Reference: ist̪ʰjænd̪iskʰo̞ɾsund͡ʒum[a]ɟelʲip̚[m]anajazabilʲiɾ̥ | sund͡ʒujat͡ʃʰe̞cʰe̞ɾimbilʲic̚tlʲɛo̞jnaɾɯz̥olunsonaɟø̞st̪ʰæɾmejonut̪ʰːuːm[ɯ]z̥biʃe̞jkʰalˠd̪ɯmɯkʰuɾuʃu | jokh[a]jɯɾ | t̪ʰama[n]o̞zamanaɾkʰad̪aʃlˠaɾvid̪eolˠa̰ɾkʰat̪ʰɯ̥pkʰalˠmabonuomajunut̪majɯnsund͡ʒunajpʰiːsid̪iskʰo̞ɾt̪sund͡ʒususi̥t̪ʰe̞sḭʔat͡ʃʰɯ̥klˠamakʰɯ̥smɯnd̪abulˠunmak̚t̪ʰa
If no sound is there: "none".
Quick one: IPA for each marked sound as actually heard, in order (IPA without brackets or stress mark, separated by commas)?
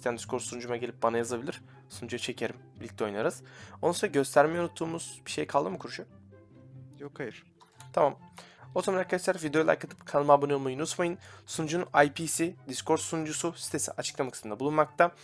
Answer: a, b, u, a, m